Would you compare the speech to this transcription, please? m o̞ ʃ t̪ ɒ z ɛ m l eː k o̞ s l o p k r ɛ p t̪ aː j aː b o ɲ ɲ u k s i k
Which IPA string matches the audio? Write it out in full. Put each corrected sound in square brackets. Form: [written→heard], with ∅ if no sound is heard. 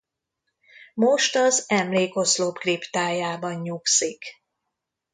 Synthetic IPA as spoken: m o̞ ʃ t̪ ɒ z ɛ m l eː k o̞ s l o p k r [ɛ→i] p t̪ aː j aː b [o→ɒ] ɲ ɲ u k s i k